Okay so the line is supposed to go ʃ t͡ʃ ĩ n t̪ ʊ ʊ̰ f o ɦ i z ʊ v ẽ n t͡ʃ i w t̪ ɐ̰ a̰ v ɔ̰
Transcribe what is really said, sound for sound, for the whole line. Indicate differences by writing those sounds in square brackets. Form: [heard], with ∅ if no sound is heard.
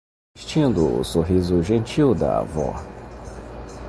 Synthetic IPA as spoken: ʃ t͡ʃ ĩ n [d̪] ʊ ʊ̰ [s] o ɦ i z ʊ [ʒ] ẽ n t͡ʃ i w [d̪] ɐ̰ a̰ v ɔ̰

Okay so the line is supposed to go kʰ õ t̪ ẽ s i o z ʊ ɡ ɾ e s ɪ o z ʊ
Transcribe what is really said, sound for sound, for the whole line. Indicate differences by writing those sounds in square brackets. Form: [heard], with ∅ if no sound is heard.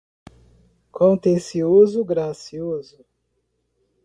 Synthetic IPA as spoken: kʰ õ t̪ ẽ s i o z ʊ ɡ ɾ [a] s [i] o z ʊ

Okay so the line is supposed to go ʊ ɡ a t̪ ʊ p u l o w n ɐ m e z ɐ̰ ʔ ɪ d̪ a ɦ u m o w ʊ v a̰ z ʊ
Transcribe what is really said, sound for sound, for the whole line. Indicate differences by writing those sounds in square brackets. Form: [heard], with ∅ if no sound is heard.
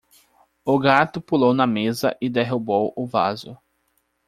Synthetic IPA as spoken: ʊ ɡ a t̪ ʊ p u l o w n ɐ m e z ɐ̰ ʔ ɪ d̪ [e] ɦ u [b] o w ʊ v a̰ z ʊ

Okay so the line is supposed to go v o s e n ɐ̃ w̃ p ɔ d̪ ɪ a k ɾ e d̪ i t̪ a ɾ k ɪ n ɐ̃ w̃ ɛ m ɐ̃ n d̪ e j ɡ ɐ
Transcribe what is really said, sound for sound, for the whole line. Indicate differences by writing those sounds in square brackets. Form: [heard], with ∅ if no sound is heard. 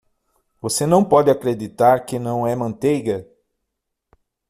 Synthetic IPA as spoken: v o s e n ɐ̃ w̃ p ɔ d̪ ɪ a k ɾ e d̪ i t̪ a ɾ k ɪ n ɐ̃ w̃ ɛ m ɐ̃ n [t̪] e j ɡ ɐ

